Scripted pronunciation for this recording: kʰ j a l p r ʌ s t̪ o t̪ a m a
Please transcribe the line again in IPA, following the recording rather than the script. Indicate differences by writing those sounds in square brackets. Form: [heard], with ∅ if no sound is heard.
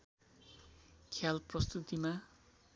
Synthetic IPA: kʰ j a l p r ʌ s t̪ [u] t̪ [i] m a